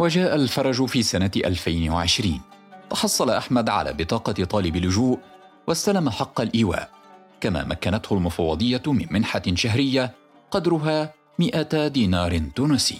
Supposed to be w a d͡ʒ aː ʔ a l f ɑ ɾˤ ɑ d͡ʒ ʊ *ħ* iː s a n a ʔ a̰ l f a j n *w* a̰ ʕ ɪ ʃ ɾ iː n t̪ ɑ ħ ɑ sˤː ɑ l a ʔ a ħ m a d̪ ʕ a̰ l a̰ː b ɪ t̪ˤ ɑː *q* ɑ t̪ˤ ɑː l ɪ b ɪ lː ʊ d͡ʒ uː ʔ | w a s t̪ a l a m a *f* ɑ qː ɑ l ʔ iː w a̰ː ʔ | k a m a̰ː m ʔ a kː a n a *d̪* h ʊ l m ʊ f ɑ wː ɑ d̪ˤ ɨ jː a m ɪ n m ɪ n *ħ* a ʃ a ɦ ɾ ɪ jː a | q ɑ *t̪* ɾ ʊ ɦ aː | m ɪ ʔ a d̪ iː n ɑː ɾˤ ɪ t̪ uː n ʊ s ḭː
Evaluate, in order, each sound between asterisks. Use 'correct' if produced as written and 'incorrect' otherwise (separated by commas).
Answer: incorrect, correct, correct, incorrect, incorrect, correct, incorrect